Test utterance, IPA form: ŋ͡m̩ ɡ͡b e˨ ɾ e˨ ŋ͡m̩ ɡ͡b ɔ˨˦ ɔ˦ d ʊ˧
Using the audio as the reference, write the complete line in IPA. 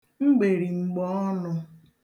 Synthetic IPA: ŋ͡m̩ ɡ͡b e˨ ɾ i˨ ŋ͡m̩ ɡ͡b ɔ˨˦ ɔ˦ n ʊ˧